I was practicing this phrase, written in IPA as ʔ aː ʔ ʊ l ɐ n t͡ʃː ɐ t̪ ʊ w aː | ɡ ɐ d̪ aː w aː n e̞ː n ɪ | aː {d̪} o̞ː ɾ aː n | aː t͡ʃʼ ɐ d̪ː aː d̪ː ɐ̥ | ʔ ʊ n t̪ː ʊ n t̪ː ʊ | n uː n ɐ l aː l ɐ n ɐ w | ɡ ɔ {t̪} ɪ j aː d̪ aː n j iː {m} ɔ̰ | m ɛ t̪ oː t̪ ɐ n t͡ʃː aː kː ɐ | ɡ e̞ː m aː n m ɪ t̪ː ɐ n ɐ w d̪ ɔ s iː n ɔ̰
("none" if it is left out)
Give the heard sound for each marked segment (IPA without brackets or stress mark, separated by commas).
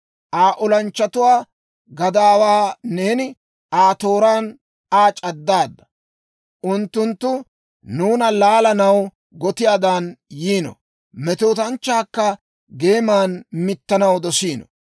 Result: t̪, t̪, n